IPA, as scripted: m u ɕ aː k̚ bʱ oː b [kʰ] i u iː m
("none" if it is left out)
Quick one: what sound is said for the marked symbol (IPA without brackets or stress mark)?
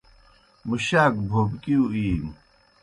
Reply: k